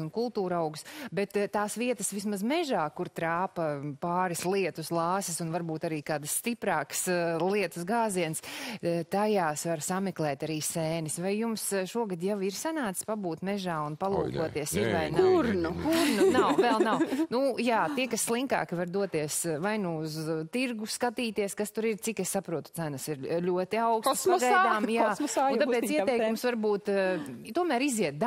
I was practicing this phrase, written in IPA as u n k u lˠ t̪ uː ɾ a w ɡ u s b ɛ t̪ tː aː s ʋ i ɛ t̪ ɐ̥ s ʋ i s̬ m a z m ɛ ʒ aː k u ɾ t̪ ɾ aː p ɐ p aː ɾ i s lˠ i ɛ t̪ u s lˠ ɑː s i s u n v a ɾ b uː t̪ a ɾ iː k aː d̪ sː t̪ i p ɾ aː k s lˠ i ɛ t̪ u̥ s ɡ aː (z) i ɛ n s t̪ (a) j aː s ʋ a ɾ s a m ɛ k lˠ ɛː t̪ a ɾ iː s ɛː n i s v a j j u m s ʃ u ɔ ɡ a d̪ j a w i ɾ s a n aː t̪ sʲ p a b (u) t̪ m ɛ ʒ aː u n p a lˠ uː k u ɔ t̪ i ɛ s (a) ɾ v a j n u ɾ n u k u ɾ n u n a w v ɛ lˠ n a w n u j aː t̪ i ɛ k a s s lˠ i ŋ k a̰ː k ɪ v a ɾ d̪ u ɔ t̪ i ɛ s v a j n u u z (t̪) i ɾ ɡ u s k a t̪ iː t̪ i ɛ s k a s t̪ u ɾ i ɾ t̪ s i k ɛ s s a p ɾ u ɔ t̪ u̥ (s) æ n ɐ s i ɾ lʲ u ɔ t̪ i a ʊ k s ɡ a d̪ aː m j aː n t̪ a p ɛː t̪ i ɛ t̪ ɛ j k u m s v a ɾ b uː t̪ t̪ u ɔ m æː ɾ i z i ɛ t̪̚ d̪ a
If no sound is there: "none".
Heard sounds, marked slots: z, a, uː, i, t̪, s

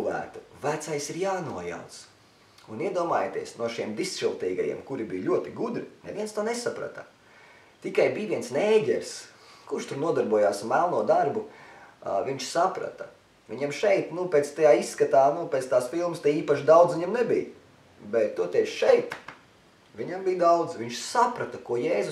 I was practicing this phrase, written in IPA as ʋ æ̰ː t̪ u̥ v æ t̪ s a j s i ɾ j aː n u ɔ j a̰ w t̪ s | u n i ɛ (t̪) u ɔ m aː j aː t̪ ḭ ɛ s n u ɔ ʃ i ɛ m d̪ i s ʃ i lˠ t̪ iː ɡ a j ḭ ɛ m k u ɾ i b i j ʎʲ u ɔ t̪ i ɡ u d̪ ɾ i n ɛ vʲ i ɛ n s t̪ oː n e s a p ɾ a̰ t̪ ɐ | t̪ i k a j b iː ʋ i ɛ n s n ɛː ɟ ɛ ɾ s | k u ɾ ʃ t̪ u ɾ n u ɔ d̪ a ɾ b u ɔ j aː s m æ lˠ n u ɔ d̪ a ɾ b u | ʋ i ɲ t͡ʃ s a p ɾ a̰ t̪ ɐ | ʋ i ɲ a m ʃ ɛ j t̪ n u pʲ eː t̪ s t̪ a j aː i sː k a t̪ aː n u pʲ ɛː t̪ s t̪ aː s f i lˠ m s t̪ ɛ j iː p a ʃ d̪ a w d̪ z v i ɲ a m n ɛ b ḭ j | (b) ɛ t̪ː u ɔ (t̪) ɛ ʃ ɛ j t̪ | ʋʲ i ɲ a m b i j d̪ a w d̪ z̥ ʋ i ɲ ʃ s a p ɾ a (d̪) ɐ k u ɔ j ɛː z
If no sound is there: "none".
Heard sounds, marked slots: d̪, b, t̪, t̪

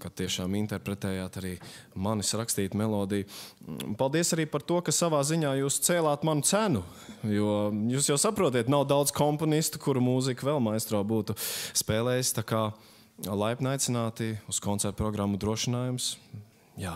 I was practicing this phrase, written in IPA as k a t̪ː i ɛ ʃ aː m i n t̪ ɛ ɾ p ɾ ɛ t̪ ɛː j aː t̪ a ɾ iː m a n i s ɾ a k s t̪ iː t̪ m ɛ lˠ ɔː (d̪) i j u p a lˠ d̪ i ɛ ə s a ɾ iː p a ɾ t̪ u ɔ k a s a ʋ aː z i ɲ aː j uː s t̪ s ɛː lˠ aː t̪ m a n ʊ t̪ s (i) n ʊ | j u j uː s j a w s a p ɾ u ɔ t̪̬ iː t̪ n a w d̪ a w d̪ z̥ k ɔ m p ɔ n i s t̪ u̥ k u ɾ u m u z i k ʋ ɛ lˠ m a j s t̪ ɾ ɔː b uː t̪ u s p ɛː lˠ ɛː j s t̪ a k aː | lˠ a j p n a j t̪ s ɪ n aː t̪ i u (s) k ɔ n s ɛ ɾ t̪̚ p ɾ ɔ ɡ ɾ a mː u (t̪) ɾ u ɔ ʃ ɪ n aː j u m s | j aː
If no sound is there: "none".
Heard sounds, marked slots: d̪, æ, s, d̪

